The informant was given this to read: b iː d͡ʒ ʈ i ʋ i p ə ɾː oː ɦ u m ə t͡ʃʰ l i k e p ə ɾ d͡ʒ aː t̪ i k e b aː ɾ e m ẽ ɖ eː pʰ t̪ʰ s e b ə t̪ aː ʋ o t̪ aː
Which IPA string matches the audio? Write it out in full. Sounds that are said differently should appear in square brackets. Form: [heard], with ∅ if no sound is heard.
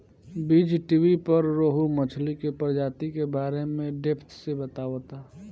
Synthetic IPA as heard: b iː d͡ʒ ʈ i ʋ i p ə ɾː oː ɦ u m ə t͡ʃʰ l i k e p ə ɾ d͡ʒ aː t̪ i k e b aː ɾ e m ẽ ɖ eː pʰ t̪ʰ s e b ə t̪ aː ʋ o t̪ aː